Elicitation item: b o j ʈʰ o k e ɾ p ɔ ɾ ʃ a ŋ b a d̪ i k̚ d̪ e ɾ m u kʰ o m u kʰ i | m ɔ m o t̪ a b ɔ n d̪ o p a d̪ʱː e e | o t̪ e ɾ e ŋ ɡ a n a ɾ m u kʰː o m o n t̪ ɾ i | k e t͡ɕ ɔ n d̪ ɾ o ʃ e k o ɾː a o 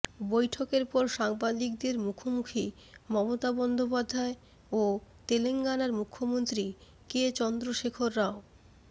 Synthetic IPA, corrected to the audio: b o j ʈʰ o k e ɾ p ɔ ɾ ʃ a ŋ b a d̪ i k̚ d̪ e ɾ m u kʰ o m u kʰ i | m ɔ m o t̪ a b ɔ n d̪ o p a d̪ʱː a e | o t̪ e l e ŋ ɡ a n a ɾ m u kʰː o m o n t̪ ɾ i | k e t͡ɕ ɔ n d̪ ɾ o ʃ e kʰ o ɾː a o